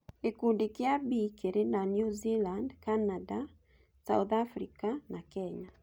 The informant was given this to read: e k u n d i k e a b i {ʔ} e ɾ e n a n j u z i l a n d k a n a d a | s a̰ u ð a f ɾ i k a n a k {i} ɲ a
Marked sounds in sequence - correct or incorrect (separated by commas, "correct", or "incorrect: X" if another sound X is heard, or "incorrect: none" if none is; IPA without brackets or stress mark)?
incorrect: k, incorrect: ɛ